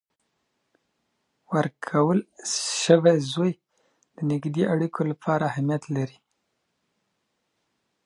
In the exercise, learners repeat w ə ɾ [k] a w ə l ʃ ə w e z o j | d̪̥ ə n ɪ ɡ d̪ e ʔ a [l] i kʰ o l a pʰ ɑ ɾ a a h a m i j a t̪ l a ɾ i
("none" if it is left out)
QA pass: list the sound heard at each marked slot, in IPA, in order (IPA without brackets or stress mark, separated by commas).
kʰ, ɽ